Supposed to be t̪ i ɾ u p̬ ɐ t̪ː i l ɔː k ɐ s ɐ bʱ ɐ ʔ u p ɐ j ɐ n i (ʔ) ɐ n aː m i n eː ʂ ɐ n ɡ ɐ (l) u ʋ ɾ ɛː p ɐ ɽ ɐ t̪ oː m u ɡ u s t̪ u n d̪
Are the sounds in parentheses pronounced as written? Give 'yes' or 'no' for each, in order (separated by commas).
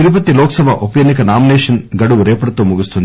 no, no